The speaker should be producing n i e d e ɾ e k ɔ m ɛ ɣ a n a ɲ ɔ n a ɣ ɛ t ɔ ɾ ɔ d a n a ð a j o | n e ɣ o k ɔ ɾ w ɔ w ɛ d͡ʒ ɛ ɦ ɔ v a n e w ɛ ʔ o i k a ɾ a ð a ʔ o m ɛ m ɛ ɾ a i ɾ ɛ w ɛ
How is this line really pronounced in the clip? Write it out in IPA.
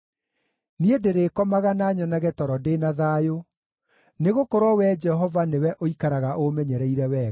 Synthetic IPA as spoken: n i e d e ɾ e k ɔ m a ɣ a n a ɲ ɔ n a ɣ ɛ t ɔ ɾ ɔ d e n a ð a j o | n e ɣ o k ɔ ɾ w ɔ w ɛ d͡ʒ ɛ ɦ ɔ v a n e w ɛ ʔ o i k a ɾ a ɣ a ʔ o m ɛ ɲ ɛ ɾ ɛ i ɾ ɛ w ɛ